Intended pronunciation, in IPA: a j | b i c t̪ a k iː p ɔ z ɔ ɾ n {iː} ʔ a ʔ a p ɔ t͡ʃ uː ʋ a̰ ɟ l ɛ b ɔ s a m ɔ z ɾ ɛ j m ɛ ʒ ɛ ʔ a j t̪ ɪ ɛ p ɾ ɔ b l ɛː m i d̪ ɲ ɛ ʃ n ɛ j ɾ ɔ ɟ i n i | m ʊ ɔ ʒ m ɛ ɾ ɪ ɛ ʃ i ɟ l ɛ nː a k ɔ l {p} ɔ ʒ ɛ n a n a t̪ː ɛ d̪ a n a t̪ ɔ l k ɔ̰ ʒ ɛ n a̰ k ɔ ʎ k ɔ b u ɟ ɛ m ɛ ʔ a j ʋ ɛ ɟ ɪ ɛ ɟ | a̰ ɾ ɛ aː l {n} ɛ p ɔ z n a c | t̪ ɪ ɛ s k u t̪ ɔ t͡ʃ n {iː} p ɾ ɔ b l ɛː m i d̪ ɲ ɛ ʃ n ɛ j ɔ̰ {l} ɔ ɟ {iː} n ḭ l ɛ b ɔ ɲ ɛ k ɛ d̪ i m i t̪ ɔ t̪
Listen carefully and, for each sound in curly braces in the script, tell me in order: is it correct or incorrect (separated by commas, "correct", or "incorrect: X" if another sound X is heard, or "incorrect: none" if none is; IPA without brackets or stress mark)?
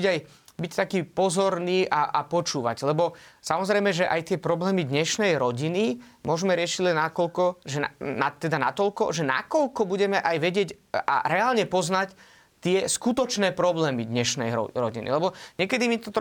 correct, incorrect: k, incorrect: ɲ, incorrect: ɛː, incorrect: ɾ, incorrect: i